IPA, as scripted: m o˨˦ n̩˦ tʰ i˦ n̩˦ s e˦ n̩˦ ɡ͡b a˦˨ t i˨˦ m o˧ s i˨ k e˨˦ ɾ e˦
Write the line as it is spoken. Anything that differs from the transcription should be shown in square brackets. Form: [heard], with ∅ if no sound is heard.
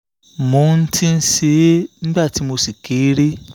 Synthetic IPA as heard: m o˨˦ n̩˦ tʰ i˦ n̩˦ s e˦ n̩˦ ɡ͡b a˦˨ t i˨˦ m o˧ s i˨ k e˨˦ ɾ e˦